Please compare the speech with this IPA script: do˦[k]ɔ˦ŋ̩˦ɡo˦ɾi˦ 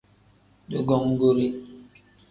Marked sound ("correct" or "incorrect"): incorrect